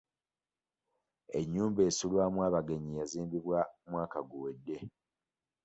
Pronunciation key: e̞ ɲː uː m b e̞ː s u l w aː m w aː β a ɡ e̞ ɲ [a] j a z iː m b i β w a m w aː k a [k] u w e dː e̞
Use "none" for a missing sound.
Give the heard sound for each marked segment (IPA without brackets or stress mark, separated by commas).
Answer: i, ɡ